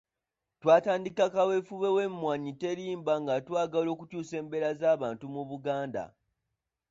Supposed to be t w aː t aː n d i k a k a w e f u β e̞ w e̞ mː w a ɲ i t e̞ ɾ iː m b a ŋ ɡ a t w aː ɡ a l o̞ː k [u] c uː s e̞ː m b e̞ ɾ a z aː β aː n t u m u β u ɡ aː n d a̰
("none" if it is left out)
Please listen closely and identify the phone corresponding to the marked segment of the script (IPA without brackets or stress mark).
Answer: u